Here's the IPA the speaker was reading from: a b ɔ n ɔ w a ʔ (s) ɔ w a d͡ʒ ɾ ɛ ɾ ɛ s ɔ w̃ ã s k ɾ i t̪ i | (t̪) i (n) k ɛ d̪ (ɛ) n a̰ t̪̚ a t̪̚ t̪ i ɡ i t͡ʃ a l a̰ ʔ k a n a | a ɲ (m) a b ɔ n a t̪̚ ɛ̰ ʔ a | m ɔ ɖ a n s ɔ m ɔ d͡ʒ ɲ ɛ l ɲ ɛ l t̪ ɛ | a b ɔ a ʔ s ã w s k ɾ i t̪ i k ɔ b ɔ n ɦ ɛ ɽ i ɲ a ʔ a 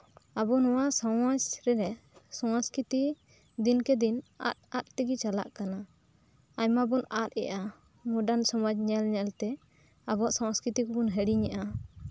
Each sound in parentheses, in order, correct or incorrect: correct, incorrect, correct, incorrect, correct

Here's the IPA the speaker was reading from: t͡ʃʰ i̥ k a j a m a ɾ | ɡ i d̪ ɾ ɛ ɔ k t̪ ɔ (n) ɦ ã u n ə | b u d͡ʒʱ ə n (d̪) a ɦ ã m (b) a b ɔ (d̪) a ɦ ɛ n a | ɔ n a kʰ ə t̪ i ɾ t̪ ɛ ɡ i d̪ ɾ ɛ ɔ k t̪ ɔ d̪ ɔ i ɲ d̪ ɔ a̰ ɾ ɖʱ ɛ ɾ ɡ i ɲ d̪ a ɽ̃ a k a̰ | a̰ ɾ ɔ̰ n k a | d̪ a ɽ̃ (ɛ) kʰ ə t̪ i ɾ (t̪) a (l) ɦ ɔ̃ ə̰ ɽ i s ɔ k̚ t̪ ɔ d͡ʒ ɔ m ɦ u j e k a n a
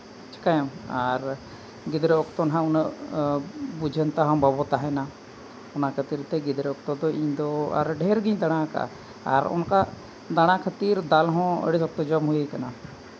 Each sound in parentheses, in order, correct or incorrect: correct, incorrect, correct, incorrect, incorrect, incorrect, correct

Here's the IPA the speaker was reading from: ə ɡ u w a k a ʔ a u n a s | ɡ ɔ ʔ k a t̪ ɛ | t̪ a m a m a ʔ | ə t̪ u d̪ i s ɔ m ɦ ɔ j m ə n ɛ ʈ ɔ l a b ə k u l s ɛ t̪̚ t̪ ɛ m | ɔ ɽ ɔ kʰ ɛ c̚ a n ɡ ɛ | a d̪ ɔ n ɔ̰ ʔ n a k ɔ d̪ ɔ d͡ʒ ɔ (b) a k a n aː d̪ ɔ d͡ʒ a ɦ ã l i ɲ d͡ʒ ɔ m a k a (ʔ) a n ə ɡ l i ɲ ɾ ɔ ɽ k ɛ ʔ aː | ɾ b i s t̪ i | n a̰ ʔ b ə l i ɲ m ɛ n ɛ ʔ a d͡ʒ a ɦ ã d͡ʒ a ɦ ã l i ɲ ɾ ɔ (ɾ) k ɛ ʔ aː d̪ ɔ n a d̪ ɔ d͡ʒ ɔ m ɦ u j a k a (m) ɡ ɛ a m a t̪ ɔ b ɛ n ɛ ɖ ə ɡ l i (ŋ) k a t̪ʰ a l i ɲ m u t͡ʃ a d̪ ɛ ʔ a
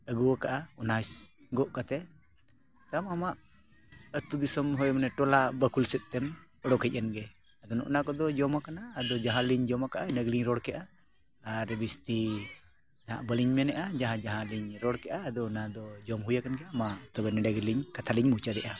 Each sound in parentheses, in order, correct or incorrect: incorrect, correct, incorrect, incorrect, incorrect

